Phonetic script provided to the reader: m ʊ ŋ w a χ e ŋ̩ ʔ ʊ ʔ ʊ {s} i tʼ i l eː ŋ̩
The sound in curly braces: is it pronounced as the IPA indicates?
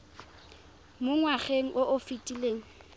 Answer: no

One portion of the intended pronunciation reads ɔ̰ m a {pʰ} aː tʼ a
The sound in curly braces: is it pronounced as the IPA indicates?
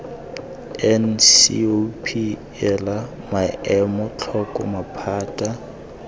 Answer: yes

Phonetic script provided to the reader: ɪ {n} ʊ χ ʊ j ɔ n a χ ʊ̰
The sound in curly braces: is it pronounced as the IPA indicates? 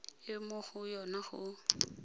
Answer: no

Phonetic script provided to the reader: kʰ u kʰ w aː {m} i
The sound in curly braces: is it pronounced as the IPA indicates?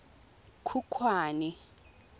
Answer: no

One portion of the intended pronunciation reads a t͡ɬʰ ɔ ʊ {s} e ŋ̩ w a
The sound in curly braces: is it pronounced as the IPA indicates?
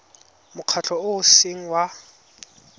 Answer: yes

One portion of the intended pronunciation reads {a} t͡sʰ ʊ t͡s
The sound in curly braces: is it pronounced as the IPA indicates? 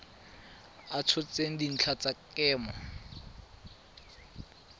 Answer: yes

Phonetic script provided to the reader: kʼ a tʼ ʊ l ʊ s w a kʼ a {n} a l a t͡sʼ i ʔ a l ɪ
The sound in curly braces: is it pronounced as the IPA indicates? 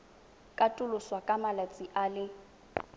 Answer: no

